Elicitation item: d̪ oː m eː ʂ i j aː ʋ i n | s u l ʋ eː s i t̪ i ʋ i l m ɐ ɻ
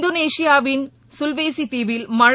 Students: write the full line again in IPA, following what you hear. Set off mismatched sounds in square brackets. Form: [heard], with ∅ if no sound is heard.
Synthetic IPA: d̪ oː [n] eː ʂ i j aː ʋ i n | s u l ʋ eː s i t̪ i ʋ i l m ɐ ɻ